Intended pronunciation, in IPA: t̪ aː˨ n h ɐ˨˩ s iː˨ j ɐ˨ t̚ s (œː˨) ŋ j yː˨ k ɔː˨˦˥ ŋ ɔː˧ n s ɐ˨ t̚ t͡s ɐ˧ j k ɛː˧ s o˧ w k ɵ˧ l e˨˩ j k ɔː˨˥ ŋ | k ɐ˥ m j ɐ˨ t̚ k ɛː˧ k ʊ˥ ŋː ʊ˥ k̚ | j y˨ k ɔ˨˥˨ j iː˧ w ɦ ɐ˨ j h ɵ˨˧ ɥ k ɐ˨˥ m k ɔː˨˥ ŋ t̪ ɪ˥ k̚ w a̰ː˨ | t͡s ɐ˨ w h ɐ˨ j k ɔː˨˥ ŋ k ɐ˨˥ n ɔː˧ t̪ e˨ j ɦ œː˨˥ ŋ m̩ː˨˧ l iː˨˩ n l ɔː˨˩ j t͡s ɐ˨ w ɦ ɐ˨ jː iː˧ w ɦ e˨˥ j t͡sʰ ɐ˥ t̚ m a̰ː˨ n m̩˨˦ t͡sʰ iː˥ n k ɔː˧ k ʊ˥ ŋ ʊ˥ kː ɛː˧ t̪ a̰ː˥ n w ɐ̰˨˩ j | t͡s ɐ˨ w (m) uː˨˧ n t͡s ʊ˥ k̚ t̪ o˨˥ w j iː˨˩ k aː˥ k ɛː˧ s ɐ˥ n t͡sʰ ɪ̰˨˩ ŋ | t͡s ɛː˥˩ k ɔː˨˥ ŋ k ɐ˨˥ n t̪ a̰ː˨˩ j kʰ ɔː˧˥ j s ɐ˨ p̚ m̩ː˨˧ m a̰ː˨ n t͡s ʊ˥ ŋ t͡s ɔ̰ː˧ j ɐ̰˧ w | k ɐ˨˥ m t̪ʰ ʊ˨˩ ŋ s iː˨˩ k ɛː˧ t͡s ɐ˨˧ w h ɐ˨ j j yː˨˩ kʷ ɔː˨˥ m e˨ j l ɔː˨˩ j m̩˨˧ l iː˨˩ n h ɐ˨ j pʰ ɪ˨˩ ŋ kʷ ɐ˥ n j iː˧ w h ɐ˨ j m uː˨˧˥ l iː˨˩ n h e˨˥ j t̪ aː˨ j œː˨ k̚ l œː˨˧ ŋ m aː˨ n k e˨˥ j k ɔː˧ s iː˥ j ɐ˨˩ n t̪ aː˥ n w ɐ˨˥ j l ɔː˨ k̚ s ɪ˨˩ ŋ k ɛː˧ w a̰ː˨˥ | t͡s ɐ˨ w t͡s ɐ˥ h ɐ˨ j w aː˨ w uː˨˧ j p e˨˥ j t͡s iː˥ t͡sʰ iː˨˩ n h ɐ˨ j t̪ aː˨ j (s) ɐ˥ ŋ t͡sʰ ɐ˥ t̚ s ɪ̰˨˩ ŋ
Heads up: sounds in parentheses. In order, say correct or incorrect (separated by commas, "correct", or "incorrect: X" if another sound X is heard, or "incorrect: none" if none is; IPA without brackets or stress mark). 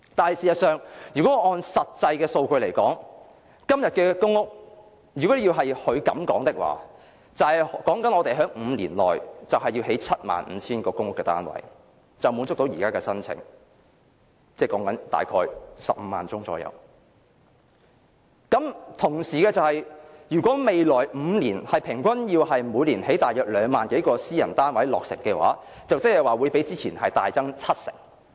correct, correct, incorrect: t͡s